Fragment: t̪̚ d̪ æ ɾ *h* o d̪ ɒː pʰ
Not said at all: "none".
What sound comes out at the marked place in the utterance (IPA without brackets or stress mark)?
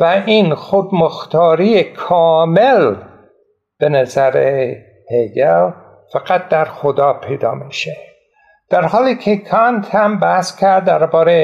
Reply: x